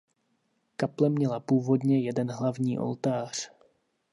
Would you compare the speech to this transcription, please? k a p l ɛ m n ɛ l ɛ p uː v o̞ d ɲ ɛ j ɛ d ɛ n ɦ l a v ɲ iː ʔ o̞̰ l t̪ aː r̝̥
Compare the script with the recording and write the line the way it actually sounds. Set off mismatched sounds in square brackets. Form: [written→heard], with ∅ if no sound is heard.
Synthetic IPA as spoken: k a p l ɛ m [n→ɲ] ɛ l [ɛ→a] p uː v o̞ d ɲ ɛ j ɛ d ɛ n ɦ l a v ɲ iː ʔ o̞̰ l t̪ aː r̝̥